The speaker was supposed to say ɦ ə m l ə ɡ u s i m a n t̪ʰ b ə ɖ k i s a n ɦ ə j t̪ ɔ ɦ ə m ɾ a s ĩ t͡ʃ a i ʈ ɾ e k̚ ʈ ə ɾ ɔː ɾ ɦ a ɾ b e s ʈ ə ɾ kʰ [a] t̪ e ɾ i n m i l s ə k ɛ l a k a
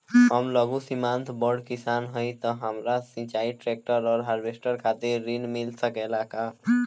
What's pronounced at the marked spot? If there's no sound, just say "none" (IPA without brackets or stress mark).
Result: a